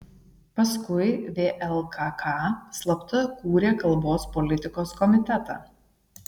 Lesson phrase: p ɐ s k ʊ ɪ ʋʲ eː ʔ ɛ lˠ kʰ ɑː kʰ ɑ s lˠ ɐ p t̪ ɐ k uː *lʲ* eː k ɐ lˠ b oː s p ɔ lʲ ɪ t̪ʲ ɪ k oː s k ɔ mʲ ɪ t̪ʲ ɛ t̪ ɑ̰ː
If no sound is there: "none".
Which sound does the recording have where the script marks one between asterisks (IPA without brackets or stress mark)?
ɾʲ